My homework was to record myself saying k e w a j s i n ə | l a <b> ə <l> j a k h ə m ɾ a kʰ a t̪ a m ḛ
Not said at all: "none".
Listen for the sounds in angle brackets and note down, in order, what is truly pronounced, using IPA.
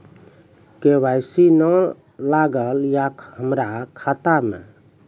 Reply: ɡ, l

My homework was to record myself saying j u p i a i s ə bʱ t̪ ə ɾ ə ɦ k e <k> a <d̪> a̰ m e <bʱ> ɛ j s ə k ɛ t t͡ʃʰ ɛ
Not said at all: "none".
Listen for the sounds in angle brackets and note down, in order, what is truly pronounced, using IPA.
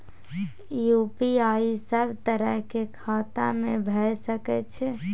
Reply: kʰ, t̪, bʱ

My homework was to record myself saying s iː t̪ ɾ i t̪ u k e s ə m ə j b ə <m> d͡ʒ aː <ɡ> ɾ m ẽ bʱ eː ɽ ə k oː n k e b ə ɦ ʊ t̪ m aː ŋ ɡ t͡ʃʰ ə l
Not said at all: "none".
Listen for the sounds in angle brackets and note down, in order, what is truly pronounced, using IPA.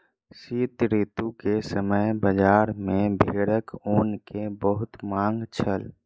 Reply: none, none

